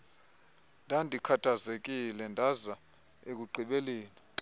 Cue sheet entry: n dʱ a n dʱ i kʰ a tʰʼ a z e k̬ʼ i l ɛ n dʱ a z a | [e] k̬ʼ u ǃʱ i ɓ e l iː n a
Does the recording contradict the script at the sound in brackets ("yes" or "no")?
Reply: no